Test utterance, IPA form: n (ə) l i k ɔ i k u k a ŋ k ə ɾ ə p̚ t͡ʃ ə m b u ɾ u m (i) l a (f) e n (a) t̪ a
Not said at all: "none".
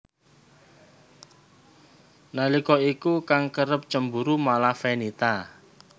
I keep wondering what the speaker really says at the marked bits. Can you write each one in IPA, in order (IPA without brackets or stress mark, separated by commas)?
a, a, f, i